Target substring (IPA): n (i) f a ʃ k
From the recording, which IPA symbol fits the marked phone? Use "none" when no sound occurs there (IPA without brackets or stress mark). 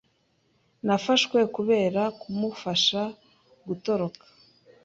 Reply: a